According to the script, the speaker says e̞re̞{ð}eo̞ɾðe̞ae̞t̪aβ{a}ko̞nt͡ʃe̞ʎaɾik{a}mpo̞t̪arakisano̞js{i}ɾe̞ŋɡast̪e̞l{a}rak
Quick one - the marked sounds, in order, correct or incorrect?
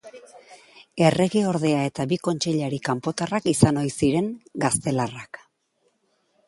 incorrect: ɣ, incorrect: i, correct, correct, correct

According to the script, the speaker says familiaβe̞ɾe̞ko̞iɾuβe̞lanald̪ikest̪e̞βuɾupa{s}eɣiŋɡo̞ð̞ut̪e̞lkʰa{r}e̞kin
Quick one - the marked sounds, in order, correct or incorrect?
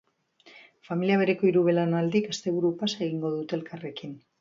correct, correct

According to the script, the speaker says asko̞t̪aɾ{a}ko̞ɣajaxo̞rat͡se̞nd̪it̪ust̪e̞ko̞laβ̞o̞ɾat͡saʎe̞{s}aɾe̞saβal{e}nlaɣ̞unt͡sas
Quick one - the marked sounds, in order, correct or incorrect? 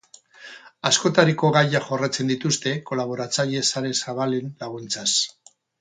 incorrect: i, correct, correct

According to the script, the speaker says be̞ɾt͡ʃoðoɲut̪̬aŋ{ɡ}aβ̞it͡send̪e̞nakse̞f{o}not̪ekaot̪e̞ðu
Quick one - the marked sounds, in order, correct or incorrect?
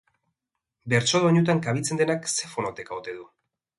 incorrect: k, correct

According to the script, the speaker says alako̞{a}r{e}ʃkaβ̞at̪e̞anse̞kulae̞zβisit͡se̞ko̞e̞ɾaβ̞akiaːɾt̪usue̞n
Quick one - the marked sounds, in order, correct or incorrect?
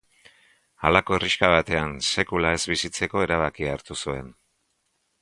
incorrect: e, incorrect: i

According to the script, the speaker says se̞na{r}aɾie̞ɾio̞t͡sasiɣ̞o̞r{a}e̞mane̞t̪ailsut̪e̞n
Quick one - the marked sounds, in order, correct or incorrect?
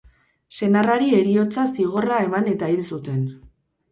correct, correct

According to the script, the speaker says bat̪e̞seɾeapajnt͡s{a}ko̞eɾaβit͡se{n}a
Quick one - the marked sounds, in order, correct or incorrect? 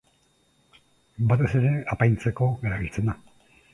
incorrect: e, correct

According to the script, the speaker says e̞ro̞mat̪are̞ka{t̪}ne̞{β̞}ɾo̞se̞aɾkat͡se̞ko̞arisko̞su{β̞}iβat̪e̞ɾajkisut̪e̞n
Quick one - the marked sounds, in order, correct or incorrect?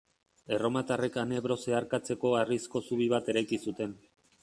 incorrect: none, correct, correct

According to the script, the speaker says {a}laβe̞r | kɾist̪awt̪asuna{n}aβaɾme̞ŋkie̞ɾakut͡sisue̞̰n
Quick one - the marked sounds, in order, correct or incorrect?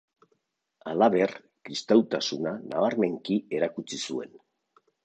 correct, correct

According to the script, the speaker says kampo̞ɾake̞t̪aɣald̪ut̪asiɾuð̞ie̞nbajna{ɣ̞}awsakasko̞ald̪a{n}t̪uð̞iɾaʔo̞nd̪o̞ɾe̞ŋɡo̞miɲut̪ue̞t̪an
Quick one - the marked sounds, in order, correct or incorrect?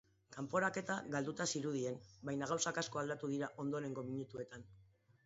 correct, incorrect: none

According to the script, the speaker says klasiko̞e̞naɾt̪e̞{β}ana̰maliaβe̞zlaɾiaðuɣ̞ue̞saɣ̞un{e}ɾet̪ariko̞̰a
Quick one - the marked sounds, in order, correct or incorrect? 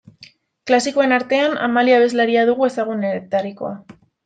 incorrect: none, correct

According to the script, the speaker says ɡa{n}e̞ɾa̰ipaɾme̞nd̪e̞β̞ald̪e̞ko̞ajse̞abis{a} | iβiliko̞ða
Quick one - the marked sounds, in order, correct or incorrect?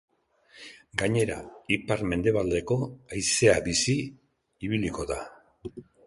incorrect: ɲ, incorrect: i

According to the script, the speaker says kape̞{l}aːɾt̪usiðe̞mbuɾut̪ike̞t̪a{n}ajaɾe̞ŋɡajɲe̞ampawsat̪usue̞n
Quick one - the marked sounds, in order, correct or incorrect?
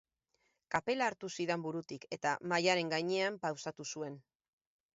correct, incorrect: m

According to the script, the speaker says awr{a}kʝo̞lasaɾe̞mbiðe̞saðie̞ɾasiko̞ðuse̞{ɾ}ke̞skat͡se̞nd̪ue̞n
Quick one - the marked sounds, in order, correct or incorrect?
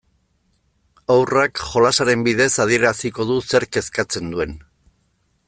correct, correct

